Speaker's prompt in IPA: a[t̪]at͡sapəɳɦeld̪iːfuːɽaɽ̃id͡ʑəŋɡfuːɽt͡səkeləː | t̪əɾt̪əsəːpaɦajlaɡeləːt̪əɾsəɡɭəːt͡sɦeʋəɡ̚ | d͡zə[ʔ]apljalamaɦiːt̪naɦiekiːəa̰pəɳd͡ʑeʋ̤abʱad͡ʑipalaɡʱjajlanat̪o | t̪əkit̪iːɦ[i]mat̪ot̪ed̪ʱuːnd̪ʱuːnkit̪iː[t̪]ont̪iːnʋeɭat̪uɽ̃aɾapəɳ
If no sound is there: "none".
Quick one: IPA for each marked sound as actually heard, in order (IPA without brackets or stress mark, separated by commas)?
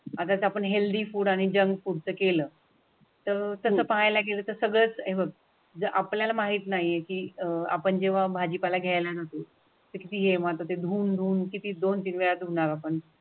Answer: t̪, ʔ, e, d̪